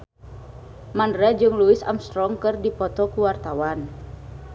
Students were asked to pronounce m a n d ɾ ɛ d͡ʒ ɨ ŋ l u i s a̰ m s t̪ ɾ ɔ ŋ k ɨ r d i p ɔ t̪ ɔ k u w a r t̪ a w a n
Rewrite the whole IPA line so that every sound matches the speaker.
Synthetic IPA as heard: m a n d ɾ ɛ d͡ʒ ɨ ŋ l u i s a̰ m s t̪ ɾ ɔ ŋ k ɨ r d i p ɔ t̪ ɔ k u w a r t̪ a w a n